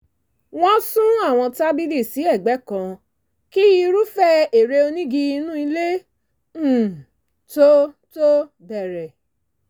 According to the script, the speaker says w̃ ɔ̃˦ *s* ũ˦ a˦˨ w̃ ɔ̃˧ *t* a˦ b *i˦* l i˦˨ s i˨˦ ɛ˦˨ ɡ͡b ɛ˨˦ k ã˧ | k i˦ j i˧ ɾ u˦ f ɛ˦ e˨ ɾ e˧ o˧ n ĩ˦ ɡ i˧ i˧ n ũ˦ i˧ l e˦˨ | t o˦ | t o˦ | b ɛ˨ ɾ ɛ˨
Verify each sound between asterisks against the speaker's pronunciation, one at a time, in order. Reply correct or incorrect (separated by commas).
correct, correct, correct